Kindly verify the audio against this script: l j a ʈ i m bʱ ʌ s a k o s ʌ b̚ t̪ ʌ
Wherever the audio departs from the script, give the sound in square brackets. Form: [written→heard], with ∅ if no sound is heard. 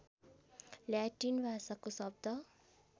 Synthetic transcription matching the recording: l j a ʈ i [m→n] bʱ [ʌ→a] s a k o s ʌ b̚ [t̪→d̪] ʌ